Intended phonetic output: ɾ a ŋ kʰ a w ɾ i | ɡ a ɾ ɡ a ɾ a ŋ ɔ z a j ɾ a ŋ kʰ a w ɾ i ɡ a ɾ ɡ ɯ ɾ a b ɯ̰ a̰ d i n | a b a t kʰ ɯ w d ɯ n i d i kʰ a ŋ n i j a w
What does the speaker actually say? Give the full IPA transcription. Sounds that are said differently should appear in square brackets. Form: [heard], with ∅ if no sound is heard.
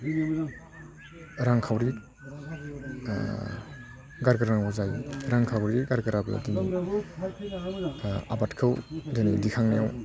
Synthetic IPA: ɾ a ŋ kʰ a w ɾ i | ɡ a ɾ ɡ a ɾ a ŋ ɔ z a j ɾ a ŋ kʰ a w ɾ i ɡ a ɾ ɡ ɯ ɾ a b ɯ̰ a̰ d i n | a b a t kʰ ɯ w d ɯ n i d i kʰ a ŋ n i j a w